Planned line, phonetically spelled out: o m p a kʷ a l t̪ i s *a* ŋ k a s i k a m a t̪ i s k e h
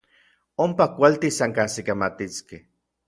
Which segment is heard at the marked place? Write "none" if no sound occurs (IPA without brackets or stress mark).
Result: a